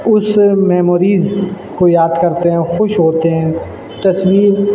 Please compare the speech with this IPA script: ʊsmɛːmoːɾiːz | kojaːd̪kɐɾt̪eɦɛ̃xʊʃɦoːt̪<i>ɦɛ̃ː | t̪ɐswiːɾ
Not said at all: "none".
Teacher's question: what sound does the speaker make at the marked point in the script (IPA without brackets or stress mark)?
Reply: e